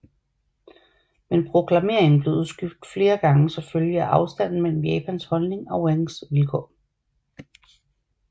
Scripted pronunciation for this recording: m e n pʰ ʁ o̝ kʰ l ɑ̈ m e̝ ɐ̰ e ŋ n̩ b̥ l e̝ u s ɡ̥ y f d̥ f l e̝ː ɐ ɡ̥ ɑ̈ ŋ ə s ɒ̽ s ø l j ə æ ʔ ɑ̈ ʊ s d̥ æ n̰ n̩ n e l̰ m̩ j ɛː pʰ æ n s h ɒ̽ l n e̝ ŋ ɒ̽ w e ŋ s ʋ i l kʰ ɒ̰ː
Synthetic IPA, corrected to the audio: m e n pʰ ʁ o̝ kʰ l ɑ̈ m e̝ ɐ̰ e ŋ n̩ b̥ l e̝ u s ɡ̥ y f d̥ f l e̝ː ɐ ɡ̥ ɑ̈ ŋ ə s ɒ̽ f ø l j ə æ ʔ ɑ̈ ʊ s d̥ æ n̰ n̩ m e l̰ m̩ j ɛː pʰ æ n s h ɒ̽ l n e̝ ŋ ɒ̽ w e ŋ s ʋ i l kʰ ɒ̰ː